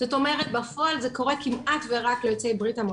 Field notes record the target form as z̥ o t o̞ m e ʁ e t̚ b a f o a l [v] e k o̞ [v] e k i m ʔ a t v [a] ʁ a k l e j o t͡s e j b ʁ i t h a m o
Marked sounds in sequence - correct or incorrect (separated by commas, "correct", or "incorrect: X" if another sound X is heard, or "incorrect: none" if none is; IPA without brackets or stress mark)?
incorrect: z, incorrect: ʁ, incorrect: e